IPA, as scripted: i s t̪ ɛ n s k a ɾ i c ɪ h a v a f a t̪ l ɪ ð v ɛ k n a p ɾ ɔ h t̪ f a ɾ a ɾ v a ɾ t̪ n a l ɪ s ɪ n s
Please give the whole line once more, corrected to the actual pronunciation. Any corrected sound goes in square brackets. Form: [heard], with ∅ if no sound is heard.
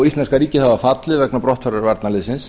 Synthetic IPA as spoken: i s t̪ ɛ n s k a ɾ [iː] c ɪ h a v a f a t̪ l ɪ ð v ɛ k n a p ɾ ɔ h t̪ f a ɾ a ɾ v a ɾ t̪ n a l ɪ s ɪ n s